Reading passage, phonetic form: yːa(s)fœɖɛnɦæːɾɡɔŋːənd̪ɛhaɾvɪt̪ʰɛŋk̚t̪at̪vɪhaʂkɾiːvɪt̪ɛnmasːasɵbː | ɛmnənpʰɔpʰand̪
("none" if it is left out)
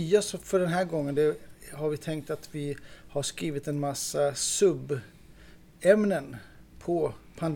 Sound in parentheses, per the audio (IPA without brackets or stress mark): s